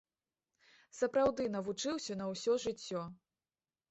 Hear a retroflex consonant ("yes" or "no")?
yes